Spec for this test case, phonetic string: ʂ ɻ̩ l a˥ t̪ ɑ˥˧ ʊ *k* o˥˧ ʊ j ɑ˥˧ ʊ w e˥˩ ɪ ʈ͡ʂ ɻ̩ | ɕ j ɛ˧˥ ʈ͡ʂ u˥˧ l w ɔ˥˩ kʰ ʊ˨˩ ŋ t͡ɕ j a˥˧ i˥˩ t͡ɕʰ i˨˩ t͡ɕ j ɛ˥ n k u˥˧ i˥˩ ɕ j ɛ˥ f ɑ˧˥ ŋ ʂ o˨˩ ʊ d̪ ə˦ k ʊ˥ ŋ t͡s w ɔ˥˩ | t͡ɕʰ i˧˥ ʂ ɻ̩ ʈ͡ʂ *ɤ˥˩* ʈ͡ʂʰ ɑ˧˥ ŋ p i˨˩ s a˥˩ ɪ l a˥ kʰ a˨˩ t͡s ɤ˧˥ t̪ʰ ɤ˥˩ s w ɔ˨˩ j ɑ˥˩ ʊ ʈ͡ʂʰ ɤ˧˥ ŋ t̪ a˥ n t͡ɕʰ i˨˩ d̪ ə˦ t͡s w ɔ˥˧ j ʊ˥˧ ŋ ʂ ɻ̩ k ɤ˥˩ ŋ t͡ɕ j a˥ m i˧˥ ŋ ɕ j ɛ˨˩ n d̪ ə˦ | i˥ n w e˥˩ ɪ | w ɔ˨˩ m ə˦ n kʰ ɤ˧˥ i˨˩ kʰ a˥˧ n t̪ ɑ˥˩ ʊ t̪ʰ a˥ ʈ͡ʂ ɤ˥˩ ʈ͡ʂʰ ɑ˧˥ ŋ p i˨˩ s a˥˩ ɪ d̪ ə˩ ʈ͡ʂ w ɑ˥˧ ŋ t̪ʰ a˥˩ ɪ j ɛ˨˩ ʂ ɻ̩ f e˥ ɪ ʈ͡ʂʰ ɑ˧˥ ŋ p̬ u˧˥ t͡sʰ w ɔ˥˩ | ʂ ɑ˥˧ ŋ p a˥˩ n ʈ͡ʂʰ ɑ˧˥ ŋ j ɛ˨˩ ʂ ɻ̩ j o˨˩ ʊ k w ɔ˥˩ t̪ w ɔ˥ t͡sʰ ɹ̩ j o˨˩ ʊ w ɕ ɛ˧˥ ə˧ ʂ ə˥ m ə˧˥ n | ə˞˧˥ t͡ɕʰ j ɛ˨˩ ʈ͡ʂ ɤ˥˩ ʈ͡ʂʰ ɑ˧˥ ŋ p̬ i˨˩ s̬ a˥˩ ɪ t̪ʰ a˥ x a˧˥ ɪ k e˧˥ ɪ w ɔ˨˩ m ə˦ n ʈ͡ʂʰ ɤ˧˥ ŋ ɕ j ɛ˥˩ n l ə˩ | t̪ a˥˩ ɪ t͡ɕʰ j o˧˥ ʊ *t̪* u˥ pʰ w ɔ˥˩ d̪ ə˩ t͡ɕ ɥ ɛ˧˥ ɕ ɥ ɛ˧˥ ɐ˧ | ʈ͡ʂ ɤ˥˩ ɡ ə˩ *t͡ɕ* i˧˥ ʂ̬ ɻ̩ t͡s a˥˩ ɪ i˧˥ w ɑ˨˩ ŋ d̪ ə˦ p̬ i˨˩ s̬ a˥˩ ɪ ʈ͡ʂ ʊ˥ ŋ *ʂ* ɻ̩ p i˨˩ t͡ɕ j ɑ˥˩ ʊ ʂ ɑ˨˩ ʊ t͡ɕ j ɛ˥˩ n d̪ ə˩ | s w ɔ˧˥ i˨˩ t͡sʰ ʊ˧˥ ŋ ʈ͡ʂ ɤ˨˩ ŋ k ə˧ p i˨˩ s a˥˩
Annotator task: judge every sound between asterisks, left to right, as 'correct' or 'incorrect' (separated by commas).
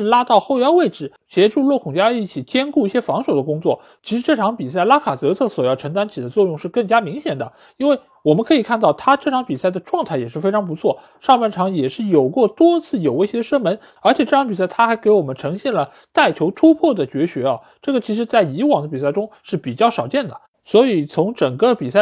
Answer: incorrect, correct, incorrect, incorrect, correct